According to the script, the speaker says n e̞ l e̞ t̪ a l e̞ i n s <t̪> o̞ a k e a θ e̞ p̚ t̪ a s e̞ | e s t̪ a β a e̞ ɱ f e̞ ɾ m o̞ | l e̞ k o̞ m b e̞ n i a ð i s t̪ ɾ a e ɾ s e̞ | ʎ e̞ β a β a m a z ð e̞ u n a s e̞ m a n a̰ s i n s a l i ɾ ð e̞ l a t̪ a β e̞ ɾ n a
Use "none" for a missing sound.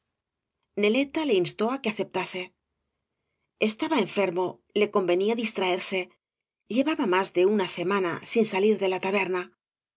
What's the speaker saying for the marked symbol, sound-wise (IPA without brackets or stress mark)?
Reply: t̪